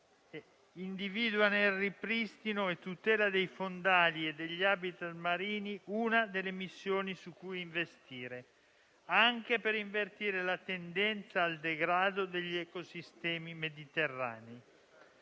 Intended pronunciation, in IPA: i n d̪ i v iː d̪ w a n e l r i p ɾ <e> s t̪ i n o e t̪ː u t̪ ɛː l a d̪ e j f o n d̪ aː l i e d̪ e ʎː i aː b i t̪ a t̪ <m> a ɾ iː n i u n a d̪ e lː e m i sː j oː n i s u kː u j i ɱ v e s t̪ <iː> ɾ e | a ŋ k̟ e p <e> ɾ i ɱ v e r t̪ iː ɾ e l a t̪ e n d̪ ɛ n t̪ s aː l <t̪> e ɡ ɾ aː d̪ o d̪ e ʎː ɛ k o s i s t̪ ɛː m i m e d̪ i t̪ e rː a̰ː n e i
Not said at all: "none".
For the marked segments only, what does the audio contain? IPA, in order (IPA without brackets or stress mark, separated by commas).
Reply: i, m, iː, e, d̪